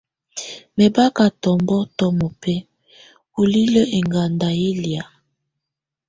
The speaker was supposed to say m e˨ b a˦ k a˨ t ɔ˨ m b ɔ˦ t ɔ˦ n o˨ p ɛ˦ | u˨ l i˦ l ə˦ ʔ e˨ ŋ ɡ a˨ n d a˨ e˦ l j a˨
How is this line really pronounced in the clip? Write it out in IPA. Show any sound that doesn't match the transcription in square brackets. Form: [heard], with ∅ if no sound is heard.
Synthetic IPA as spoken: m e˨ b a˦ k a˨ t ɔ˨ m b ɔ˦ t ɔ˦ [m] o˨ p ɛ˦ | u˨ l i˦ l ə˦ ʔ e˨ ŋ ɡ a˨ n d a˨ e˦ l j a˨